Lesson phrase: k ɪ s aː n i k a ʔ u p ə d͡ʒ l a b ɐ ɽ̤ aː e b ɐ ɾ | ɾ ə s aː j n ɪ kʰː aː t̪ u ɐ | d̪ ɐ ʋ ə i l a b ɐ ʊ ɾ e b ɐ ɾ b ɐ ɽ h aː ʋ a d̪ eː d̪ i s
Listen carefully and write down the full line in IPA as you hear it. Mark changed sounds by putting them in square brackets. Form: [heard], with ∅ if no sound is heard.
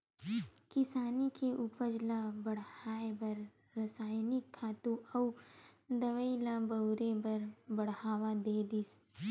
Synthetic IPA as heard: k ɪ s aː n i k [e] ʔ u p ə d͡ʒ l a b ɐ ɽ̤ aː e b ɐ ɾ | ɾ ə s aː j n ɪ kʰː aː t̪ u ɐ | d̪ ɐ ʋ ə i l a b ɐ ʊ ɾ e b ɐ ɾ b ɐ ɽ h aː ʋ a d̪ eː d̪ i s